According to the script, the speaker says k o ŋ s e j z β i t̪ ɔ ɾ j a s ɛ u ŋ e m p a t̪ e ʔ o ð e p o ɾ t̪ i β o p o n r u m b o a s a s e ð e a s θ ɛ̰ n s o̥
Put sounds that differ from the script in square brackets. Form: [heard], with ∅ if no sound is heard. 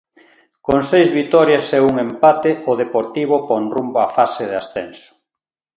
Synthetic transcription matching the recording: k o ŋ s e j z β i t̪ ɔ ɾ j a s ɛ u ŋ e m p a t̪ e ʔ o ð e p o ɾ t̪ i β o p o n r u m b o a [f] a s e ð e a s θ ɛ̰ n s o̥